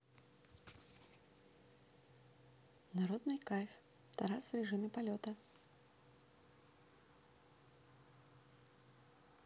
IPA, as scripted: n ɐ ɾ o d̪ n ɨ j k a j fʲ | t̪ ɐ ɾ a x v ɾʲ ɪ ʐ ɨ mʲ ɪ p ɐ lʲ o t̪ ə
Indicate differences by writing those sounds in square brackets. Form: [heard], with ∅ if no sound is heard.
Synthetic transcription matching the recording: n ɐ ɾ o d̪ n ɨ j k a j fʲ | t̪ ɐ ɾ a [s] v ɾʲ ɪ ʐ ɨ mʲ ɪ p ɐ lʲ o t̪ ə